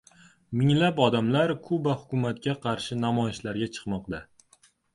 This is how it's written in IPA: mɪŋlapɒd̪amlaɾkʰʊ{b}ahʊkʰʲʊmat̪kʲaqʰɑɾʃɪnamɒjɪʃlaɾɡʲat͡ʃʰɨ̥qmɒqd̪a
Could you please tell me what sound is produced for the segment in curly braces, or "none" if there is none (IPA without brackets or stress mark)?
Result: b